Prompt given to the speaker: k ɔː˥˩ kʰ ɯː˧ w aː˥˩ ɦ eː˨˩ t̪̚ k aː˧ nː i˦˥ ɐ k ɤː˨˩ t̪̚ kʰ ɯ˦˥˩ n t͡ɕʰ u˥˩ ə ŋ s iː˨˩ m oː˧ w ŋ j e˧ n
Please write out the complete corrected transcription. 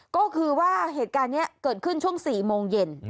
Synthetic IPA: k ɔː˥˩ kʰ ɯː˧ w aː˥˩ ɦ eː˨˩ t̪̚ k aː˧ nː i˦˥ ɐ k ɤː˨˩ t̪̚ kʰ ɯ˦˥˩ n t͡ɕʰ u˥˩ ə ŋ s iː˨˩ m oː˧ ŋ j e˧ n